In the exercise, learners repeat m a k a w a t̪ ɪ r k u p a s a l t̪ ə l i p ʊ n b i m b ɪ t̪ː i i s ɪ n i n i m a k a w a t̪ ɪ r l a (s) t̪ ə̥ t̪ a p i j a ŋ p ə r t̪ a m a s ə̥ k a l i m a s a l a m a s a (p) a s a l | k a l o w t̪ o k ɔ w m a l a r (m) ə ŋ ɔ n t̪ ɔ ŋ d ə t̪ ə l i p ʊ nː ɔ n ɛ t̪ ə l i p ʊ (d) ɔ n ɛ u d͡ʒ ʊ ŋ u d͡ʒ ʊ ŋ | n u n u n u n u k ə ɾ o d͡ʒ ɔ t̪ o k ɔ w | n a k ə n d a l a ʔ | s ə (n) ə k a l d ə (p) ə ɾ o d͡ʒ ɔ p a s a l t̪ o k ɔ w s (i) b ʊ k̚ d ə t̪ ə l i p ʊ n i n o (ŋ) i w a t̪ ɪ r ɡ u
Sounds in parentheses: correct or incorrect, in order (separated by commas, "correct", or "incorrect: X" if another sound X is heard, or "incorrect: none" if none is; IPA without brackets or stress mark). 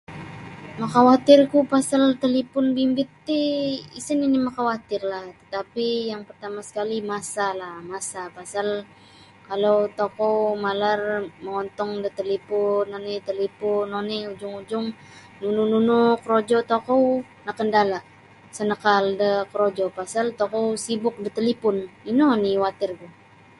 incorrect: h, correct, correct, incorrect: n, correct, incorrect: k, correct, incorrect: n